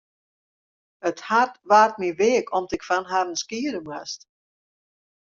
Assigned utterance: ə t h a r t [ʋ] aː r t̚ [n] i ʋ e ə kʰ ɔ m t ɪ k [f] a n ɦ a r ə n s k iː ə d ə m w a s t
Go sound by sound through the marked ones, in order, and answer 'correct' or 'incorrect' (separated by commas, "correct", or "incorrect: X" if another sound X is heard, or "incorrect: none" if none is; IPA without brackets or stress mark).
correct, incorrect: m, correct